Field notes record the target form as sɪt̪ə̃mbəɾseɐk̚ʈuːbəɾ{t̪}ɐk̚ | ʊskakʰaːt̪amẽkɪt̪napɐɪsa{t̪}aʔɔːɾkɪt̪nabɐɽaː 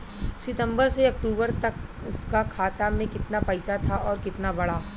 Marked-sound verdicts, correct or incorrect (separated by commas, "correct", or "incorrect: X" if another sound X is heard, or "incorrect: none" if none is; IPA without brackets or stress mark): correct, incorrect: t̪ʰ